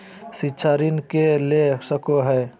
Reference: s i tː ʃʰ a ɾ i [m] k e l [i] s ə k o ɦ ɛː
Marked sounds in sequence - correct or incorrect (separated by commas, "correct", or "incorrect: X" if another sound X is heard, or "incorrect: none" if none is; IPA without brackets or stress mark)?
incorrect: n, incorrect: e